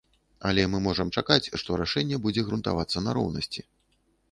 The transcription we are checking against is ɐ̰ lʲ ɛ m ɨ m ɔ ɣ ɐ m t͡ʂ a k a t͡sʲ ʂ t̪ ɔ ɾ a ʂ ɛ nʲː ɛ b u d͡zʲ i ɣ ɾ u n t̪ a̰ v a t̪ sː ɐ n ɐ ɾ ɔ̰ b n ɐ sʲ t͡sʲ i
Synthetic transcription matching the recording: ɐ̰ lʲ ɛ m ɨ m ɔ ʐ ɐ m t͡ʂ a k a t͡sʲ ʂ t̪ ɔ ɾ a ʂ ɛ nʲː ɛ b u d͡zʲ ɛ ɣ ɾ u n t̪ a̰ v a t̪ sː ɐ n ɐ ɾ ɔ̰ w n ɐ sʲ t͡sʲ i